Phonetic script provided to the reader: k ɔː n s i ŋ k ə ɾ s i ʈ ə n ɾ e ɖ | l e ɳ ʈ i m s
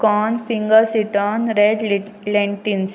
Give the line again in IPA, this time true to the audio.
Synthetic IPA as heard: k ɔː n f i ŋ ɡ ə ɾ s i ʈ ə n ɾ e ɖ | l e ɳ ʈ i n s